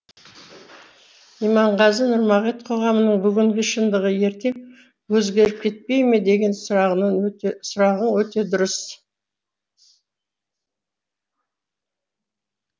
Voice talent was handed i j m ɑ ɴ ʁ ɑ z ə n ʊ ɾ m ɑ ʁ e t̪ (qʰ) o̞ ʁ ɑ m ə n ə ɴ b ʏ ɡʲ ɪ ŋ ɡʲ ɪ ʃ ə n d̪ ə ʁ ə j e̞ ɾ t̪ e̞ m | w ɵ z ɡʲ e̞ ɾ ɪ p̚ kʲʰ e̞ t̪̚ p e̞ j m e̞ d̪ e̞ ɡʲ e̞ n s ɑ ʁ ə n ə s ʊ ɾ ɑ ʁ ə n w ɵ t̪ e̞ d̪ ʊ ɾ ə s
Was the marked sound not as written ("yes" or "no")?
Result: no